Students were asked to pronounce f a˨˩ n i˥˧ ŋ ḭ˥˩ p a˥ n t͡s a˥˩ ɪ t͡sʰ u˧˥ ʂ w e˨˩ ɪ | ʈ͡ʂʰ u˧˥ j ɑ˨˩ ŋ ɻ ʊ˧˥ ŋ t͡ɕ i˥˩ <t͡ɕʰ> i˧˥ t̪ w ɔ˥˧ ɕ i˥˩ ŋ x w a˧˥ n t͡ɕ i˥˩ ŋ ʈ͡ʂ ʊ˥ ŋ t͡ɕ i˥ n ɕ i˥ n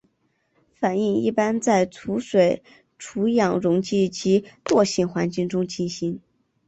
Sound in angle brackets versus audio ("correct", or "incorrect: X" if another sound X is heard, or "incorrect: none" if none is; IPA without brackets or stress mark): incorrect: t͡ɕ